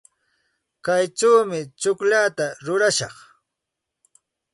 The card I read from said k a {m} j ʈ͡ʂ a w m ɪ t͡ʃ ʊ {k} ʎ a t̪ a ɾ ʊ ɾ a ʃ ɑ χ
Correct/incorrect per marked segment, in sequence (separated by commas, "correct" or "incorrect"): incorrect, correct